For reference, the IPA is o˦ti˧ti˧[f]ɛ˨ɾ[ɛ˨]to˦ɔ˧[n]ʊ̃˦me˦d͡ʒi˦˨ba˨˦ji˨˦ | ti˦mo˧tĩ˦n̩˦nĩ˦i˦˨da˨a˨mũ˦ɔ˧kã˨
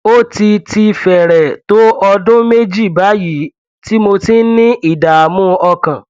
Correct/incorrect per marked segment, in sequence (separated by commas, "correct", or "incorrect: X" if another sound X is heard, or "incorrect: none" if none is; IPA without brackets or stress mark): correct, correct, incorrect: d